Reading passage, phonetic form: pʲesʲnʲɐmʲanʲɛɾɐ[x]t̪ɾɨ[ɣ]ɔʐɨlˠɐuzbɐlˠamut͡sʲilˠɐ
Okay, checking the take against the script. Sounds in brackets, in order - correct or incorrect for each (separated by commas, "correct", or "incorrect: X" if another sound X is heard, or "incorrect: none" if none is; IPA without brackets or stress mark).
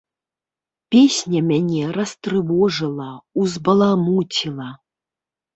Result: incorrect: s, incorrect: v